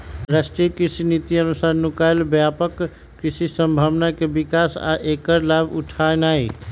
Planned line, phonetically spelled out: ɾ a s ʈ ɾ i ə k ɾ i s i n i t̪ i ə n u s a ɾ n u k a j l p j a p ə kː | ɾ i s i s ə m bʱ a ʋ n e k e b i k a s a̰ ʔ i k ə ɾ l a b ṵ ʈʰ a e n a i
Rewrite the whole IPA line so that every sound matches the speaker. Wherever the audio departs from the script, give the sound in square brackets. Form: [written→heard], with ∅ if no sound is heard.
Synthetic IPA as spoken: ɾ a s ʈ ɾ i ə k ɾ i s i n i t̪ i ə n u s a ɾ n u k a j l [p→b] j a p ə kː | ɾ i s i s ə m bʱ a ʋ n [e→a] k e b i k a s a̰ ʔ [i→e] k ə ɾ l a b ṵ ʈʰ a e n a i